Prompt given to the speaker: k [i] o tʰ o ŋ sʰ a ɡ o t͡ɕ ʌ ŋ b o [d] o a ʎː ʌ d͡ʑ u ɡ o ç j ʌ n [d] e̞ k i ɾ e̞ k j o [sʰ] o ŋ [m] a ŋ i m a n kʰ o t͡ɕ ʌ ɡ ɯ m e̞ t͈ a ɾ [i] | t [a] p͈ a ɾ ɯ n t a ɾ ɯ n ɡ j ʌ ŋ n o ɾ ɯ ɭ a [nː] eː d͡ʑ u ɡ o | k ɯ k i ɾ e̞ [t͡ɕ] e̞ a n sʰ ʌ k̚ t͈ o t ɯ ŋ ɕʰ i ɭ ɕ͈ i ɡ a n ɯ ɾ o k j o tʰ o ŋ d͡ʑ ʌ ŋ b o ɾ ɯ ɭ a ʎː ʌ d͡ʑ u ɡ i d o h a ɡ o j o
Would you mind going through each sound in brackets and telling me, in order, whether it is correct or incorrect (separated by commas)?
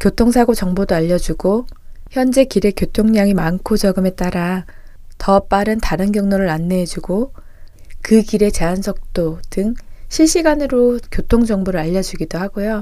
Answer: incorrect, correct, incorrect, incorrect, incorrect, incorrect, incorrect, correct, correct